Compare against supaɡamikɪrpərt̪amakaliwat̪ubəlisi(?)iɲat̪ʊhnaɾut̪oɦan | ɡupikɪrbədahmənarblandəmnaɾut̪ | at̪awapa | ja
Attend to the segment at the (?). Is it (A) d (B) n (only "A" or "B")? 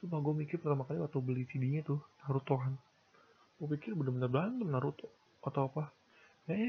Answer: A